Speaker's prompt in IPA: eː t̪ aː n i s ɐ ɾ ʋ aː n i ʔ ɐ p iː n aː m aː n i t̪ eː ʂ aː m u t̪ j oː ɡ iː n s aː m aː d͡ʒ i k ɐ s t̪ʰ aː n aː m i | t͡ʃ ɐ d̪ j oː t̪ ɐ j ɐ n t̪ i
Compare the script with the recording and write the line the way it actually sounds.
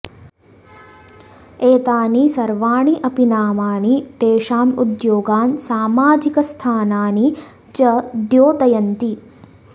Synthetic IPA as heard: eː t̪ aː n i s ɐ ɾ ʋ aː ɳ i ʔ ɐ p i n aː m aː n i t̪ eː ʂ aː m u d̪ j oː ɡ aː n s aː m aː d͡ʒ i k ɐ s t̪ʰ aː n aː n i | t͡ʃ ɐ d̪ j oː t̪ ɐ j ɐ n t̪ i